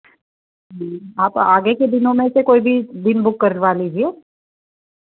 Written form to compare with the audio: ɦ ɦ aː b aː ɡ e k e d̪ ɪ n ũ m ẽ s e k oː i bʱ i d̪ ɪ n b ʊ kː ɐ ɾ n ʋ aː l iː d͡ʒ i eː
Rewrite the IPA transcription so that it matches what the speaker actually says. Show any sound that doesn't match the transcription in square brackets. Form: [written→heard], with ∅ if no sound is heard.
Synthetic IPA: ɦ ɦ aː [b→p] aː ɡ e k e d̪ ɪ n [ũ→õ] m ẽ s e k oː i bʱ i d̪ ɪ n b ʊ kː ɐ ɾ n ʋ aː l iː d͡ʒ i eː

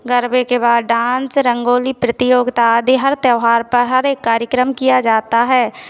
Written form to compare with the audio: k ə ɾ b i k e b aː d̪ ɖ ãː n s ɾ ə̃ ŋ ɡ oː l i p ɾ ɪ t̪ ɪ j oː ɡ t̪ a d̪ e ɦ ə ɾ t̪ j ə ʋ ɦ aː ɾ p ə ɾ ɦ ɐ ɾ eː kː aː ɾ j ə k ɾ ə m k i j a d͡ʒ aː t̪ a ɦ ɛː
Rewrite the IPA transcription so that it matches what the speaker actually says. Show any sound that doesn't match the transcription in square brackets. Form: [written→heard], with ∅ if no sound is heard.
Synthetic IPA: [k→ɡ] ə ɾ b [i→e] k e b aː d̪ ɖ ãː n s ɾ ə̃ ŋ ɡ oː l i p ɾ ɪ t̪ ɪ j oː ɡ t̪ a d̪ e ɦ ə ɾ t̪ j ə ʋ ɦ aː ɾ p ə ɾ ɦ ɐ ɾ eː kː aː ɾ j ə k ɾ ə m k i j a d͡ʒ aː t̪ a ɦ ɛː

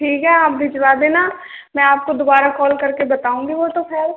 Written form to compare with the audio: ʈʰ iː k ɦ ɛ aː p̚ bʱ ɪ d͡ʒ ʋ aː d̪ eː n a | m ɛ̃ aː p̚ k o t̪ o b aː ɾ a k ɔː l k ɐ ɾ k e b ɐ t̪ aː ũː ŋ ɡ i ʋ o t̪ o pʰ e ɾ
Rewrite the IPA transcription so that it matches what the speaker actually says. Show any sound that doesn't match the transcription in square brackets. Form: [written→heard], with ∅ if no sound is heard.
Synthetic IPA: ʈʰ iː k ɦ ɛ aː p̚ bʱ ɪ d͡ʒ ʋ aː d̪ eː n a | m ɛ̃ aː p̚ k o [t̪→d̪] o b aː ɾ a k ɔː l k ɐ ɾ k e b ɐ t̪ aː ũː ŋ ɡ i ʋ o t̪ o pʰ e ɾ

